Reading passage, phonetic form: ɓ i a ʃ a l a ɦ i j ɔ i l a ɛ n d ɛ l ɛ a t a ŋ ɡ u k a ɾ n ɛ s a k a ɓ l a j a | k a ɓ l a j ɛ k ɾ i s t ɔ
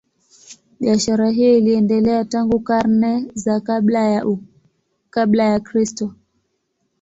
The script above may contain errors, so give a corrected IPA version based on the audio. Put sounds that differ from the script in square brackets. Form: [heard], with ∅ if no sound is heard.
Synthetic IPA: ɓ i a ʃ a [ɾ] a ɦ i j ɔ i l [i] ɛ n d ɛ l ɛ a t a ŋ ɡ u k a ɾ n ɛ [z] a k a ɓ l a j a | k a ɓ l a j [a] k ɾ i s t ɔ